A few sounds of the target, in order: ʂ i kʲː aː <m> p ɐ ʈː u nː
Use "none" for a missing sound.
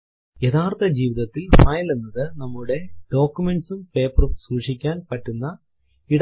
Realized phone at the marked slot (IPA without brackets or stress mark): n